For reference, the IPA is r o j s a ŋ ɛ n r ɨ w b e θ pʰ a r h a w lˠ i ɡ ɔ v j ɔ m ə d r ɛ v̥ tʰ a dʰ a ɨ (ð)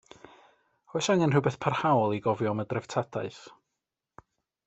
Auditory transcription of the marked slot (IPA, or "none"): θ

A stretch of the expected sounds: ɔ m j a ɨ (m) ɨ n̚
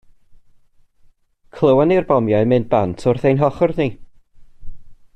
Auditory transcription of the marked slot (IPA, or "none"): m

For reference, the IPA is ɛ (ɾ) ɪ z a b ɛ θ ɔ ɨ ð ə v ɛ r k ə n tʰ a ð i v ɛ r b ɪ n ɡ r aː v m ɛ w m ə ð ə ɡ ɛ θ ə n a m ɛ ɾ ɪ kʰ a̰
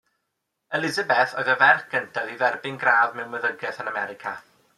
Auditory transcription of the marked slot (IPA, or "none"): l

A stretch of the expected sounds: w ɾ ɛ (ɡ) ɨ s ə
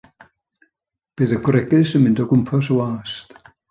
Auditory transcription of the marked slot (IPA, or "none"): ɡ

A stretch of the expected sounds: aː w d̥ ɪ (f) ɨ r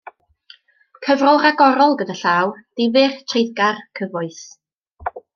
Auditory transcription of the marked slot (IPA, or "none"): v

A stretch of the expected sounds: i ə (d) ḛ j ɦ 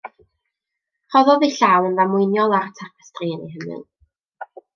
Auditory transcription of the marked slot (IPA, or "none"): n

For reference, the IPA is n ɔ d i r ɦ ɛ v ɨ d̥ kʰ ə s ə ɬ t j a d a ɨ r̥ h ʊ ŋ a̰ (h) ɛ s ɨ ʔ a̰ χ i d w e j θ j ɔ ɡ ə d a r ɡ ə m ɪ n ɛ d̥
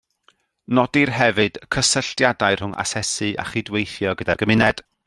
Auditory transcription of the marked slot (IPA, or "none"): s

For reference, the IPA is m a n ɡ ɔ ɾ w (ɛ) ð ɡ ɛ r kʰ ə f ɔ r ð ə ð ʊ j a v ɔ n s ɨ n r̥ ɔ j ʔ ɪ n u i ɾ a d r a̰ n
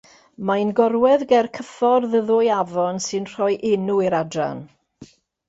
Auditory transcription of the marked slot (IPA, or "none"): ɛ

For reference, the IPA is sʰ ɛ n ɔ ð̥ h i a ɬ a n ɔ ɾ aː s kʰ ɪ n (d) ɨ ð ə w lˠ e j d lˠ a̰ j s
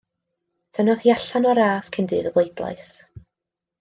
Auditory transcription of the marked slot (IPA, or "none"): d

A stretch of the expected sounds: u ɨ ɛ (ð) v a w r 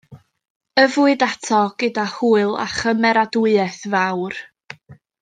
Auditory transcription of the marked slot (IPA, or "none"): θ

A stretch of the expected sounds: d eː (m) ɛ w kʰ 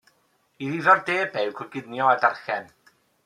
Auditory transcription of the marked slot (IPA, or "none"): b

